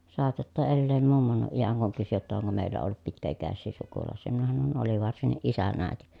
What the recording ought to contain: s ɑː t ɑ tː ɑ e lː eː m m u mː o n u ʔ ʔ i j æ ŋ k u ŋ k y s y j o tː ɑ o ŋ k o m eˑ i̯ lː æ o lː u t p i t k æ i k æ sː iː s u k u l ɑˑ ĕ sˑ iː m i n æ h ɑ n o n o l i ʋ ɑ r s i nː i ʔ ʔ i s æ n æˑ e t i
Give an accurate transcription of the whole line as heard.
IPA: s ɑː t ɑ tː ɑ e lː eː m m u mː o n u ʔ ʔ i j æ ŋ k u ŋ k y s y j o tː ɑ o ŋ k o m eˑ i̯ lː æ o lː u t p i t k æ i k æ sː iː s u k u l ɑˑ ĕ sˑ iː m i n æ h ɑ n o n o l i ʋ ɑ r s i nː i ʔ ʔ i s æ n æˑ e t i